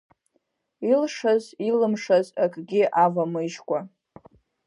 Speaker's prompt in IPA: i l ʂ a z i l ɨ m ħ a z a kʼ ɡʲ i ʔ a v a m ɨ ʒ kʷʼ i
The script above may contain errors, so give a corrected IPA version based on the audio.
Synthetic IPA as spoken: i l ʂ a z i l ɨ m ʂ a z a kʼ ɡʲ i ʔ a v a m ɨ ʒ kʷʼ a